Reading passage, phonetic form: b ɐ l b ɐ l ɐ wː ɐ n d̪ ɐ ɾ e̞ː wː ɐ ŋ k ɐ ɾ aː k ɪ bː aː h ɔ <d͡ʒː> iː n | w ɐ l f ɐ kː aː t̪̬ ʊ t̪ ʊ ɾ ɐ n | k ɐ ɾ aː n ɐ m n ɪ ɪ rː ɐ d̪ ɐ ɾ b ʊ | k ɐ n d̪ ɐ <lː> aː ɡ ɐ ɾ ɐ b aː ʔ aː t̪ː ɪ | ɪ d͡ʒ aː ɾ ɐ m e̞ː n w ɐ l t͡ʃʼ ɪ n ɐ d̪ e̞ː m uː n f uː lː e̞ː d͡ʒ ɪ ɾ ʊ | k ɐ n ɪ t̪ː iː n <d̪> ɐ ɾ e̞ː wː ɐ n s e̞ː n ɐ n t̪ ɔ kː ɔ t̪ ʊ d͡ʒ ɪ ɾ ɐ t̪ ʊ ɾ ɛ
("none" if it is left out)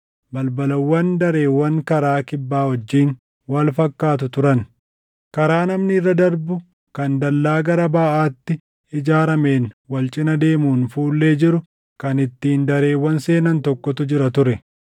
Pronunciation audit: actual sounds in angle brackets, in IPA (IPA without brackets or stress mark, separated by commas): d͡ʒː, lː, d̪